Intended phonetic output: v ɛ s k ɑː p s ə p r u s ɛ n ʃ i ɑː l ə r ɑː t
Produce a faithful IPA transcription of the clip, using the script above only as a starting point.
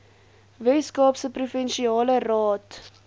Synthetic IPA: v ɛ s k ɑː p s ə p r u f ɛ n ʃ i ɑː l ə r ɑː t